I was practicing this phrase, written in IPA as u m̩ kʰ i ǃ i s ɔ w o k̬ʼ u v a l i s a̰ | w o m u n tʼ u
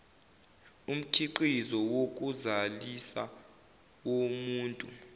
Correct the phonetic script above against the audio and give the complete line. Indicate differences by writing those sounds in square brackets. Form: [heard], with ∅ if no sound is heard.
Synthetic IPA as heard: u m̩ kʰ i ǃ i [z] ɔ w o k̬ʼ u [z] a l i s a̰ | w o m [uː] n tʼ u